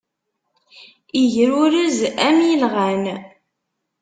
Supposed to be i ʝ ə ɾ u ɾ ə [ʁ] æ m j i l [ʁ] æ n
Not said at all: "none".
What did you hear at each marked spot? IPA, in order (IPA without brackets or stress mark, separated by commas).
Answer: z, ʁ